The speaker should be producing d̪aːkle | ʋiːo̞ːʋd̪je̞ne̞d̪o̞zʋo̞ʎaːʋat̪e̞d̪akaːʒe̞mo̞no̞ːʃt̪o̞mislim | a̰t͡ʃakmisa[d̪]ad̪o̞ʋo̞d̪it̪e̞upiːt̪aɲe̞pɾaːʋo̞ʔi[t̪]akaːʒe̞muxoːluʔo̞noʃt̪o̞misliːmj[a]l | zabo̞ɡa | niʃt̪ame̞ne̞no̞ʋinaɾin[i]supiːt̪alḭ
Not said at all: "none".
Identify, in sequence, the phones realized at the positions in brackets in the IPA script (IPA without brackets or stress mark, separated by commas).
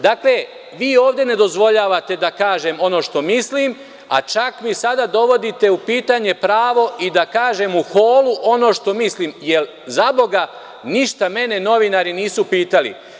d̪, d̪, e, iː